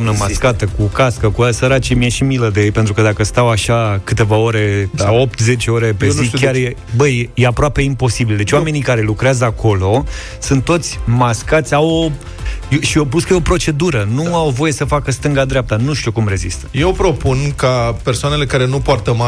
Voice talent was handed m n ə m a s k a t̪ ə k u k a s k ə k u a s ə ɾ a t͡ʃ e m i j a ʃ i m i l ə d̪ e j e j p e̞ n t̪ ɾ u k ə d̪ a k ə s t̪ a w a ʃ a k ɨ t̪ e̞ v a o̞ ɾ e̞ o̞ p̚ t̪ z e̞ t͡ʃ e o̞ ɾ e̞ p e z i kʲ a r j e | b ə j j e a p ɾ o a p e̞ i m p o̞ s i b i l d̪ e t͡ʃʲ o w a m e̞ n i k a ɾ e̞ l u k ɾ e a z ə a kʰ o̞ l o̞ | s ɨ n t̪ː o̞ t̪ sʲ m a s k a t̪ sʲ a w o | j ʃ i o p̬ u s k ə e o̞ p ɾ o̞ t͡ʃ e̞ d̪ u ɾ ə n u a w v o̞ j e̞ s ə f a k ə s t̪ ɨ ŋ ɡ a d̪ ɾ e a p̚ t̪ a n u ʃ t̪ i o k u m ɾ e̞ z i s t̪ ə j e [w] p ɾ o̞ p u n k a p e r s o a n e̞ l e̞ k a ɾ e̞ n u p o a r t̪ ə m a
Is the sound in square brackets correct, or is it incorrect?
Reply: correct